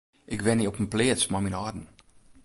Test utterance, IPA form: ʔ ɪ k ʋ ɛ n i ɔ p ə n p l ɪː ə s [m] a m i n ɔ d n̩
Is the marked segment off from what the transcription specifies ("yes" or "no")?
no